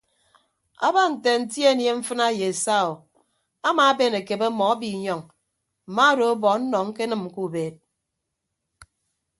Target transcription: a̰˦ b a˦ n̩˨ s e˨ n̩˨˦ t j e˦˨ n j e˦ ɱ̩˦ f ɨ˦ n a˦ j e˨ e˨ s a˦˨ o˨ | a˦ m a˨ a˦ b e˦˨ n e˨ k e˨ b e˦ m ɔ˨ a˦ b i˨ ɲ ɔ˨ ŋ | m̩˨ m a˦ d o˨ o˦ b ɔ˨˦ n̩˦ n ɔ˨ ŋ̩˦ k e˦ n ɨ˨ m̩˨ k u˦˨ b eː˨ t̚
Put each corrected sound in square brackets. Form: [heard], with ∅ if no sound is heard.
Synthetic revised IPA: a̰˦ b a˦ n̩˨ [t] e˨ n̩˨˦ t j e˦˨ n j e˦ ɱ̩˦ f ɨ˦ n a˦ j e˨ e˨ s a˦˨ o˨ | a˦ m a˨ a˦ b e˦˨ n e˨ k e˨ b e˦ m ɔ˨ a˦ b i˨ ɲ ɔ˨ ŋ | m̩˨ m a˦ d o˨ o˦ b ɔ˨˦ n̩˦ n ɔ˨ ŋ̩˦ k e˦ n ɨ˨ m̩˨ k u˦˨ b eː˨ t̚